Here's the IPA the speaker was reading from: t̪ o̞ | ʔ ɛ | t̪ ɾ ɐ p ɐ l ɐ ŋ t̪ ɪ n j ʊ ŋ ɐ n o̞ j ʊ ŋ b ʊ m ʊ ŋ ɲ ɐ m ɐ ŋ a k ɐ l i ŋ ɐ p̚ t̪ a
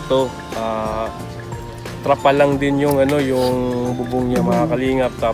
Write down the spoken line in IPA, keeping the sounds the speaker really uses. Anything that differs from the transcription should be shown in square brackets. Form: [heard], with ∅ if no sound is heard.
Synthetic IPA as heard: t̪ o̞ | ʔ [a] | t̪ ɾ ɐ p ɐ l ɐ ŋ [d̪] ɪ n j ʊ ŋ ɐ n o̞ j ʊ ŋ b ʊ [b] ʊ ŋ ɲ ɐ m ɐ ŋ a k ɐ l [iː] ŋ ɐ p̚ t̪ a